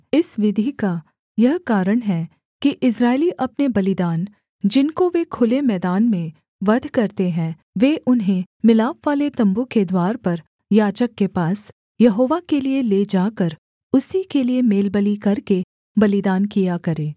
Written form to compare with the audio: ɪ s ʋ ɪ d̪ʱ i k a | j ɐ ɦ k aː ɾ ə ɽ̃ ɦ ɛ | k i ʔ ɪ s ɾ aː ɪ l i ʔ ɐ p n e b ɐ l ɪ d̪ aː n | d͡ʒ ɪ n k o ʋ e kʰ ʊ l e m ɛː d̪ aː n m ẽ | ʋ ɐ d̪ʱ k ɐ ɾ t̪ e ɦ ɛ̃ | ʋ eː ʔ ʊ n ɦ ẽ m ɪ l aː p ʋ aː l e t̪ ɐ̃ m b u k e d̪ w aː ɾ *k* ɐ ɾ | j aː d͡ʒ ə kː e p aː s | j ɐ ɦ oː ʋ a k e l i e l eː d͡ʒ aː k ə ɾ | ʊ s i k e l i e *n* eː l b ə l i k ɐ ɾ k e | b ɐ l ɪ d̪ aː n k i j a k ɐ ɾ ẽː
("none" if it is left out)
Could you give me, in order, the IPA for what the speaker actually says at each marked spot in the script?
p, m

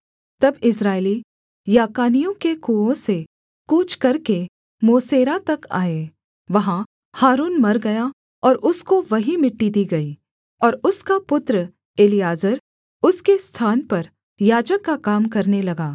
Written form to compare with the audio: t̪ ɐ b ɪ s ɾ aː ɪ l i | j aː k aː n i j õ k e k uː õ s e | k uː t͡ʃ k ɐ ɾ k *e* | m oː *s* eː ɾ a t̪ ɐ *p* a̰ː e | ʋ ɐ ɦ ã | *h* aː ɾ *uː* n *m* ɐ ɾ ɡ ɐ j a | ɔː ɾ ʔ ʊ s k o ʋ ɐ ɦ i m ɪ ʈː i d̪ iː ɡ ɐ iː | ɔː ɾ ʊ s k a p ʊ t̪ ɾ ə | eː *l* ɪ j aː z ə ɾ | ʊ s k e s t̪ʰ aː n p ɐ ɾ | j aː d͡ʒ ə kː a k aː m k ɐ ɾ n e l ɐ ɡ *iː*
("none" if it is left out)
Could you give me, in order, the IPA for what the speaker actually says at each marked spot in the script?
e, s, k, h, uː, m, l, aː

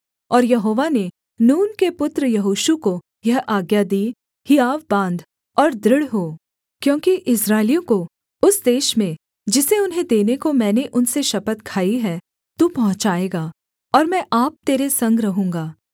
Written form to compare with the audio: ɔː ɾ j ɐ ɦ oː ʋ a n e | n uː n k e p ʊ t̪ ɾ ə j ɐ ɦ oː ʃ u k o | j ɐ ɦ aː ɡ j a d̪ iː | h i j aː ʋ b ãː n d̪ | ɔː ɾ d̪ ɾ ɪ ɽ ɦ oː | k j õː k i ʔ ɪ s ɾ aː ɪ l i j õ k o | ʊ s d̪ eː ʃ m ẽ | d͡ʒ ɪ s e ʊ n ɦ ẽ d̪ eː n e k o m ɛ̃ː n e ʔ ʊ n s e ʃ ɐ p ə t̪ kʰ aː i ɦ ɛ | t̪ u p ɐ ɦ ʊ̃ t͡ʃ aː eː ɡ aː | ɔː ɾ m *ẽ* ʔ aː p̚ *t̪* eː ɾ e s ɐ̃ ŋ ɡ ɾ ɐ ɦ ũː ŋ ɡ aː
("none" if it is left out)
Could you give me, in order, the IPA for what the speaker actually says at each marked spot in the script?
ɛ̃, t̪

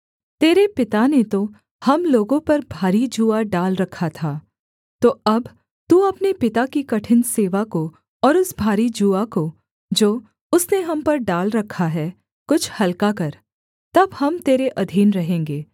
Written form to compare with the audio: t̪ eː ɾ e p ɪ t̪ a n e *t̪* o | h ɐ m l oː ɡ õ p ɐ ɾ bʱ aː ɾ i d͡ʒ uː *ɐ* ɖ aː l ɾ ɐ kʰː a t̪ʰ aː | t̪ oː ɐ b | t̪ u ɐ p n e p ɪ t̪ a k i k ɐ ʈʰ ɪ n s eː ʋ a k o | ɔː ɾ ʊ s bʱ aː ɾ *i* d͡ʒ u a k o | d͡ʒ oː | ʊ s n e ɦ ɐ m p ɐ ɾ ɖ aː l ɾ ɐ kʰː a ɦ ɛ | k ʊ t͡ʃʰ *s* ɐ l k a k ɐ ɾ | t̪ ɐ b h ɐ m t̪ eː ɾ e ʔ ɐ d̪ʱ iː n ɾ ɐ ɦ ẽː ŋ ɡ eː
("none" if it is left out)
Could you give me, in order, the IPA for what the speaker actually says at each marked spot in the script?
t̪, a, i, h

